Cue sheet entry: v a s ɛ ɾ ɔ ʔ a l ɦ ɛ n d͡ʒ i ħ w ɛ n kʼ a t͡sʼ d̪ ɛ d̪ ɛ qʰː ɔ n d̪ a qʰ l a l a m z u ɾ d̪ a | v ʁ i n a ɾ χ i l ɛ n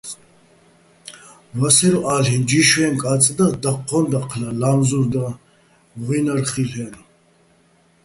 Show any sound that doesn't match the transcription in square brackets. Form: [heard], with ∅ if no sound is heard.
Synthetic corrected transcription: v a s ɛ ɾ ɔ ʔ a l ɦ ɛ n d͡ʒ i [ʃ] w ɛ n kʼ a t͡sʼ d̪ [a] d̪ [a] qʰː ɔ n d̪ a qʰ l a l a m z u ɾ d̪ a | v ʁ i n a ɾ χ i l ɛ n